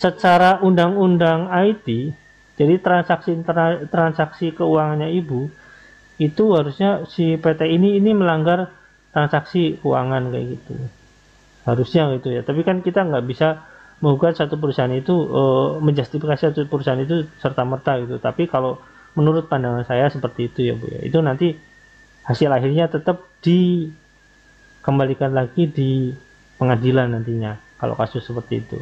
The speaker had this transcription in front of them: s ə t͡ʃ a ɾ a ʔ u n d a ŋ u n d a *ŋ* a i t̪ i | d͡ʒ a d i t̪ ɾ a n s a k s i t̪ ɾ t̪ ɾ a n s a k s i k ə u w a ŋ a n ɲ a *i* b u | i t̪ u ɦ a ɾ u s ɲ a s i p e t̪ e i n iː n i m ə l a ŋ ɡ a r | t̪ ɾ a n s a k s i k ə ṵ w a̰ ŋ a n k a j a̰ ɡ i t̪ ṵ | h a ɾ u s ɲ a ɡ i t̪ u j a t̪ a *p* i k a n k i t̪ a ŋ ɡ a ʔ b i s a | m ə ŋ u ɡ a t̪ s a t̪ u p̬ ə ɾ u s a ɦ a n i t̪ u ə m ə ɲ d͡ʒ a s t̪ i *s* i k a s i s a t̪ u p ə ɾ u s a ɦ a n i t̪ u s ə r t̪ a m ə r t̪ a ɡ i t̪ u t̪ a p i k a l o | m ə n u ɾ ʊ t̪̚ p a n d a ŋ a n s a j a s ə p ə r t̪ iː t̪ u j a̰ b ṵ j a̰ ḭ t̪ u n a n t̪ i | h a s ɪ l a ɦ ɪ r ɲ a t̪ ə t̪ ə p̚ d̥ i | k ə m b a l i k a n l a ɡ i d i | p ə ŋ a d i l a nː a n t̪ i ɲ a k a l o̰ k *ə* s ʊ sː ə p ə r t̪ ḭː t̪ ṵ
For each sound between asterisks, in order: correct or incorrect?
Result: correct, correct, correct, incorrect, incorrect

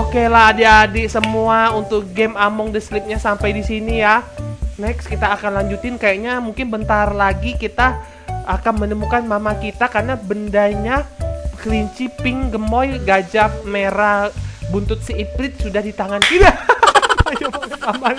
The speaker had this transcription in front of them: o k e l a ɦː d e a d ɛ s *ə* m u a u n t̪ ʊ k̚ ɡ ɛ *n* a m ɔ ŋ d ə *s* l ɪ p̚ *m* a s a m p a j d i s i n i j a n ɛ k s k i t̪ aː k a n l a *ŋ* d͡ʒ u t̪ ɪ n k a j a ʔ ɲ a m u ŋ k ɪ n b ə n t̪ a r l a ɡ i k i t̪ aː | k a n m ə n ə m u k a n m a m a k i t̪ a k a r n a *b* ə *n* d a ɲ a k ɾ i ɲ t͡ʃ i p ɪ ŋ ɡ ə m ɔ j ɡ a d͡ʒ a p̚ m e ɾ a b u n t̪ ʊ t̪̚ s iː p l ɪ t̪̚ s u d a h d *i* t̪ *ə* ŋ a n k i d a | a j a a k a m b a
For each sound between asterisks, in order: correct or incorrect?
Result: correct, incorrect, correct, incorrect, incorrect, correct, correct, correct, incorrect

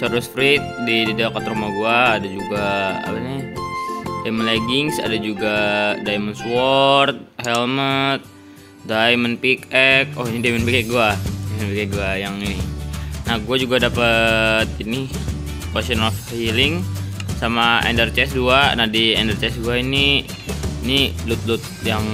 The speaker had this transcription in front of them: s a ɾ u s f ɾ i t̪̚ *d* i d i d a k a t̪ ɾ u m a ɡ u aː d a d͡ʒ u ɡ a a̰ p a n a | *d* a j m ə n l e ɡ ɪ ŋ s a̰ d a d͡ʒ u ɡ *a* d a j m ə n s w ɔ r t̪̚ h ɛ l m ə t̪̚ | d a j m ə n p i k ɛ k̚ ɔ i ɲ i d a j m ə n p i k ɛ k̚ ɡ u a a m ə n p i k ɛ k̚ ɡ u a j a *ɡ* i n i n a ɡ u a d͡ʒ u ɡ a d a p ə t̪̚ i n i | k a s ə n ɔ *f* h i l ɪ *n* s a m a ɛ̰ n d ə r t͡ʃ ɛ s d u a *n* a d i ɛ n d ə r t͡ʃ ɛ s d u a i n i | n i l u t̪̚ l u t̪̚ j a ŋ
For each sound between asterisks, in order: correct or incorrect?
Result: correct, correct, correct, incorrect, correct, incorrect, correct

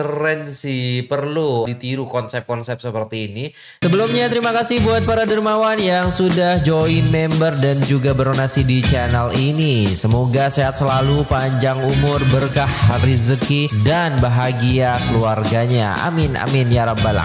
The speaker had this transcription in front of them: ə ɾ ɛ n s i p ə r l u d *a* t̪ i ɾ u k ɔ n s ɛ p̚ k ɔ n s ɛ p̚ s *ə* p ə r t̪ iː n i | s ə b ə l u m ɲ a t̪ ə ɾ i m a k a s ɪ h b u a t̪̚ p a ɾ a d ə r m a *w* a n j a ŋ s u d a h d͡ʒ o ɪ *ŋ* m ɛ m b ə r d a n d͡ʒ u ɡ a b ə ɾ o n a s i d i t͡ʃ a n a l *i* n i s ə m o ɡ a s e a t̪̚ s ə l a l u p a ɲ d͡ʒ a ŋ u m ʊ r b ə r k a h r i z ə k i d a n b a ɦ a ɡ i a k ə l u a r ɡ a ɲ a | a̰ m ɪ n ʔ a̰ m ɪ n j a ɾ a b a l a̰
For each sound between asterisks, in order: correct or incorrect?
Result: incorrect, correct, correct, incorrect, correct

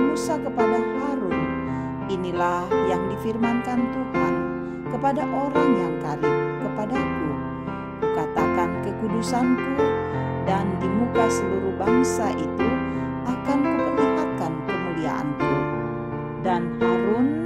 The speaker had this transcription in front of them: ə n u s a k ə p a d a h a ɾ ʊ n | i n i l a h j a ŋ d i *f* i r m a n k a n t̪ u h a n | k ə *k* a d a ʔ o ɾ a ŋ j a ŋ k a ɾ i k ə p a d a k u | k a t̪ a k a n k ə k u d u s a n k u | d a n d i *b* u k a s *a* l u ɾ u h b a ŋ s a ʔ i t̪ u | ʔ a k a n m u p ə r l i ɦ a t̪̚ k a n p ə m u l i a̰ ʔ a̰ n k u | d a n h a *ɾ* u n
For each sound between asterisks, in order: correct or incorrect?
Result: correct, incorrect, incorrect, incorrect, correct

